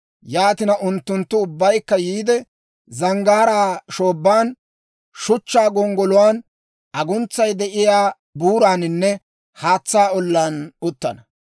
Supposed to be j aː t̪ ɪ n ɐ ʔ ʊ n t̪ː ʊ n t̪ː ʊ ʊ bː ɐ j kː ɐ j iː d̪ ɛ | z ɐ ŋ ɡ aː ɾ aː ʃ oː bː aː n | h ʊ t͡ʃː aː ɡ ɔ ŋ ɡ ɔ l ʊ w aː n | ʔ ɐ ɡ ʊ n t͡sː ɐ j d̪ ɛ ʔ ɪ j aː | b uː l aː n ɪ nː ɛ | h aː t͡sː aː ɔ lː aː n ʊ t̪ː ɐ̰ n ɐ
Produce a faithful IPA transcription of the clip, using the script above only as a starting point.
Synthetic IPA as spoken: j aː t̪ ɪ n ɐ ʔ ʊ n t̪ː ʊ n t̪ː ʊ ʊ bː ɐ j kː ɐ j iː d̪ ɛ | z ɐ ŋ ɡ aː ɾ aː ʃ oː bː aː n | ʃ ʊ t͡ʃː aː ɡ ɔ ŋ ɡ ɔ l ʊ w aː n | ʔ ɐ ɡ ʊ n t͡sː ɐ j d̪ ɛ ʔ ɪ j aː | b uː ɾ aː n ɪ nː ɛ | h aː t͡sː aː ɔ lː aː n ʊ t̪ː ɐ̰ n ɐ